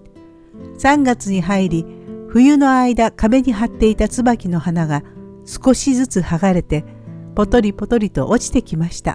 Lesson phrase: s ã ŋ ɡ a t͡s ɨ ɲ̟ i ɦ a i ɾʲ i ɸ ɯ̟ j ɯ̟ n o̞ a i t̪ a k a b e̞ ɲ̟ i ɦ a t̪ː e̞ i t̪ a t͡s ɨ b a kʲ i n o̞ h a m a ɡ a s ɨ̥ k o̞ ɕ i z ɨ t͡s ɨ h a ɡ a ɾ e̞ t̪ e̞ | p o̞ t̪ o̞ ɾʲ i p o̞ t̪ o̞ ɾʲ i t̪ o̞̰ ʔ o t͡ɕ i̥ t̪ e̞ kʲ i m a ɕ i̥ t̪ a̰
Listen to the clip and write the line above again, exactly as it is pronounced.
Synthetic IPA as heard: s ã ŋ ɡ a t͡s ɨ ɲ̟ i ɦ a i ɾʲ i ɸ ɯ̟ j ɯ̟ n o̞ a i d̪ a k a b e̞ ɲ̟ i ɦ a t̪ː e̞ i t̪ a t͡s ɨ b a kʲ i n o̞ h a n a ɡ a s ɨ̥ k o̞ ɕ i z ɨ t͡s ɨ h a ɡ a ɾ e̞ t̪ e̞ | p o̞ t̪ o̞ ɾʲ i p o̞ t̪ o̞ ɾʲ i t̪ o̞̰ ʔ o t͡ɕ i̥ t̪ e̞ kʲ i m a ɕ i̥ t̪ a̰

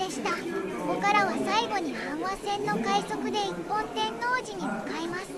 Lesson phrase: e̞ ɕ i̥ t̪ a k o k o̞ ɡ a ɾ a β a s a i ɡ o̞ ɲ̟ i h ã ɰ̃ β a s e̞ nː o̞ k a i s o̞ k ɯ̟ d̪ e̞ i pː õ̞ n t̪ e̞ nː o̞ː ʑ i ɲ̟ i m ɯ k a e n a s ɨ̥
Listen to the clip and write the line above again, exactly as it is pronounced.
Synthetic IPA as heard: e̞ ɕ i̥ t̪ a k o k o̞ k a ɾ a β a s a i ɡ o̞ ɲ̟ i h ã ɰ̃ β a s ẽ̞ nː o̞ k a i s o̞ k ɯ̟ d̪ e̞ i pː õ̞ n t̪ ẽ̞ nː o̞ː ʑ i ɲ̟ i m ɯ k a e m a s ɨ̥

